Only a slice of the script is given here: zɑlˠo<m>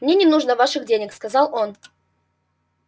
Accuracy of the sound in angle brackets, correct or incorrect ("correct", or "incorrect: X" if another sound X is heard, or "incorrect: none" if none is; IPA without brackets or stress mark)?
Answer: incorrect: n